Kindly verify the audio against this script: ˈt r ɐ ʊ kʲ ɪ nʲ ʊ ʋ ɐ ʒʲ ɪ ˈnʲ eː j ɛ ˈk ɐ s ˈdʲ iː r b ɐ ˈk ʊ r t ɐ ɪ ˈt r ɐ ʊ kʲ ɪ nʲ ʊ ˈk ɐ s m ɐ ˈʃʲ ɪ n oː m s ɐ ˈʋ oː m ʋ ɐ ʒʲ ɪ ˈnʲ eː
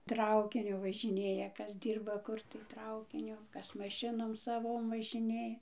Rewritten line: ˈt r ɐ ʊ kʲ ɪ nʲ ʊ ʋ ɐ ʒʲ ɪ ˈnʲ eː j ɛ ˈk ɐ s ˈdʲ iː r b ɐ ˈk ʊ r t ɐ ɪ ˈt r ɐ ʊ kʲ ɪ nʲ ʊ ˈk ɐ s m ɐ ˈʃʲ ɪ n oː m s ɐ ˈʋ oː m ʋ ɐ ʒʲ ɪ ˈnʲ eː